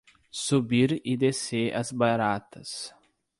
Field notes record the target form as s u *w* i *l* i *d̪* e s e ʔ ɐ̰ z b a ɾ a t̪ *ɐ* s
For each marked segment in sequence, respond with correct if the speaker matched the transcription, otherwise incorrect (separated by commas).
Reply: incorrect, incorrect, correct, correct